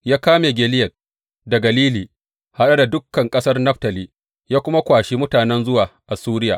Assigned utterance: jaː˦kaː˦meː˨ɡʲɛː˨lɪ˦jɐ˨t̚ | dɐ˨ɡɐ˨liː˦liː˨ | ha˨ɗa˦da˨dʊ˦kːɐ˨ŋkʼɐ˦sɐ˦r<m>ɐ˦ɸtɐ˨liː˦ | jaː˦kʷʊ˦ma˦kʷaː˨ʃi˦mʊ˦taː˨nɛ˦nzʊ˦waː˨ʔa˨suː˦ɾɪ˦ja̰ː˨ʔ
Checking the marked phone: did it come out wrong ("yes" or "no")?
yes